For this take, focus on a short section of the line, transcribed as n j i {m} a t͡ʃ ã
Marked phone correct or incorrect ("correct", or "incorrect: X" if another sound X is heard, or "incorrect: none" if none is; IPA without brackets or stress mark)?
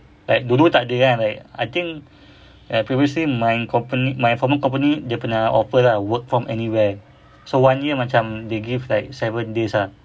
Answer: correct